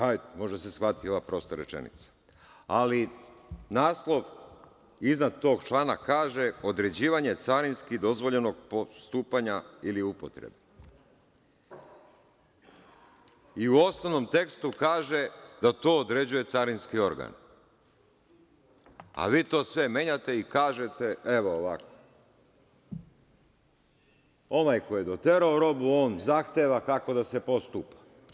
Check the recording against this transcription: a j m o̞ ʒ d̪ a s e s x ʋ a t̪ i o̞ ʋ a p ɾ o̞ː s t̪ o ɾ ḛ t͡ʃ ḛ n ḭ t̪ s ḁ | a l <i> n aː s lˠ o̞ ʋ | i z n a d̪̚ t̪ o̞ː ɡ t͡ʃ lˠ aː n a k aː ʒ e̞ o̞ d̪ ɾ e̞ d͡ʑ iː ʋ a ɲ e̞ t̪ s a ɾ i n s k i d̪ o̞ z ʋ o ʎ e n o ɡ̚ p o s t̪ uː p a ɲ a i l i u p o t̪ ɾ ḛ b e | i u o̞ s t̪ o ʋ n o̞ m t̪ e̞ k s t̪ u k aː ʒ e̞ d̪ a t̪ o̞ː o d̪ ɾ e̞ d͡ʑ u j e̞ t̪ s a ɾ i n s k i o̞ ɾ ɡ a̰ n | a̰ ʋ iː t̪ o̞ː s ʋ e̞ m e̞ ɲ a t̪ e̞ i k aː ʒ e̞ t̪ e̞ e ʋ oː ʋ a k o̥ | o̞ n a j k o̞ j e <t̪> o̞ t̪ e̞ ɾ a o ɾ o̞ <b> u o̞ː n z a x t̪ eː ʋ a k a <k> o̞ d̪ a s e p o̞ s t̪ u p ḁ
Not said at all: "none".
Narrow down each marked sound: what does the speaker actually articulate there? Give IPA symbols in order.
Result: i, d̪, b, k

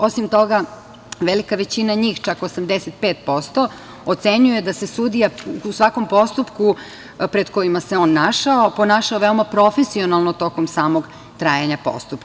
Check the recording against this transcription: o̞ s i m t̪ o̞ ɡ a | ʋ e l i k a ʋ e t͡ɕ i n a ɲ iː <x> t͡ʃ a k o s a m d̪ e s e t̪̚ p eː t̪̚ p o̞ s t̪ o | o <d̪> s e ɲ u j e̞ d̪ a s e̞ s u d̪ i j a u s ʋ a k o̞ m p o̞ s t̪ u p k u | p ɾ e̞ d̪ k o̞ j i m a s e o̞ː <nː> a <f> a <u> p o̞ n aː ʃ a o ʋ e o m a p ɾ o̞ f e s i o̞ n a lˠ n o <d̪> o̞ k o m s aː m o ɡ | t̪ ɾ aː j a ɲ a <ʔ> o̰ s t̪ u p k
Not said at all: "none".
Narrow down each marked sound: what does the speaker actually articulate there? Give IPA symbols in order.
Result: x, t̪, nː, ʃ, o, t̪, p

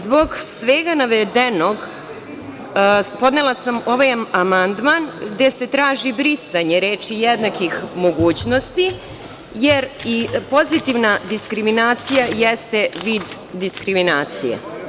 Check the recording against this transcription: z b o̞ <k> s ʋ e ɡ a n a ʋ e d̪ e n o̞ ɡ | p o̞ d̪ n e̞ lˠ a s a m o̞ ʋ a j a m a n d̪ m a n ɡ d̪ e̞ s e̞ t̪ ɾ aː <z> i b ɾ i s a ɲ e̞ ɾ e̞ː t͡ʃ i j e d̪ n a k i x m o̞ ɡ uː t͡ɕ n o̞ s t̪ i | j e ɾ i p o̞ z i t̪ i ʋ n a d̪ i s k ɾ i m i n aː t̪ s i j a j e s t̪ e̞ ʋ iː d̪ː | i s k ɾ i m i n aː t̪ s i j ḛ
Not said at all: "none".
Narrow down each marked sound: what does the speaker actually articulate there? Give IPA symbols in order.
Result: ɡ, ʒ

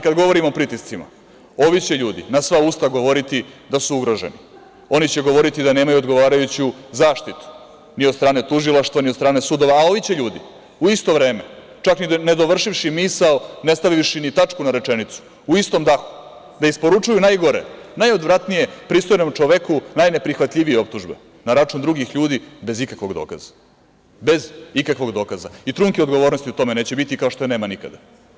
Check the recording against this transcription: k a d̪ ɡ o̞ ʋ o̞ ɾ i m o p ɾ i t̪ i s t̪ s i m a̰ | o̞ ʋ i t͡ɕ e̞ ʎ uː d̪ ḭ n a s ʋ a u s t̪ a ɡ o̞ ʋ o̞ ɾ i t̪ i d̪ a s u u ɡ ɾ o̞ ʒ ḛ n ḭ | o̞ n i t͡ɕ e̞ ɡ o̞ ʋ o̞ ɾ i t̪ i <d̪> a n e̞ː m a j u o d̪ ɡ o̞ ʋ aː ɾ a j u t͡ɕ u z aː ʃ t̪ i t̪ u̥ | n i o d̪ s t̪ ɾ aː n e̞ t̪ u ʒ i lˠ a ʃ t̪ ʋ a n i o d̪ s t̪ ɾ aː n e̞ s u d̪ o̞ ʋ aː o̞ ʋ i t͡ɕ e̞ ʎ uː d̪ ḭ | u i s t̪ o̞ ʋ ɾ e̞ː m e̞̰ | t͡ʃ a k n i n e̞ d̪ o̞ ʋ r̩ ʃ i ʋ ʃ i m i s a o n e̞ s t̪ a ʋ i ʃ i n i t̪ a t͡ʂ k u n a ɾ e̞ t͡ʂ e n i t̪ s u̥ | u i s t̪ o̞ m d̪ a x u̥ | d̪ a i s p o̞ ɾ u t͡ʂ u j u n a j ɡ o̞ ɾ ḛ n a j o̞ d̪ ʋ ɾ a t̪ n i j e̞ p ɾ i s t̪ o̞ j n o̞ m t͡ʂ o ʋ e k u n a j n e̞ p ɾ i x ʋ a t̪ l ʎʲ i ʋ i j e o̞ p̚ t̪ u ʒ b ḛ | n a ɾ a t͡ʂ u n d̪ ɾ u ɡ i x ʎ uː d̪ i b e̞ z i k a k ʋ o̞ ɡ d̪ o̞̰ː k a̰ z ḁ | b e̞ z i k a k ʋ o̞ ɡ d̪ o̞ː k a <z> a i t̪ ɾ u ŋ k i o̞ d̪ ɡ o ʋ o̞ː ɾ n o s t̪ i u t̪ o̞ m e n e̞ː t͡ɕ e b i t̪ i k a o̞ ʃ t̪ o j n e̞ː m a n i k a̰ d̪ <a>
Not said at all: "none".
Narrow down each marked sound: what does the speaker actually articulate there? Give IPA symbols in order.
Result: d̪, z, a

